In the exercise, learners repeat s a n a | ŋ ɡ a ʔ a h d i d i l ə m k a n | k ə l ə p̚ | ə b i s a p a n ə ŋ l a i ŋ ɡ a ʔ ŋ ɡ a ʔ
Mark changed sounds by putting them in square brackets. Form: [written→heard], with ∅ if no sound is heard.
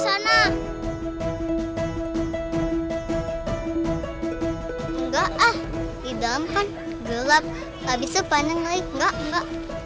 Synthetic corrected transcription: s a n a | ŋ ɡ a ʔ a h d i d [i→a] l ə m k a n | [k→ɡ] ə l [ə→a] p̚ | [ə→a] b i s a p a n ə ŋ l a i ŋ ɡ a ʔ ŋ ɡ a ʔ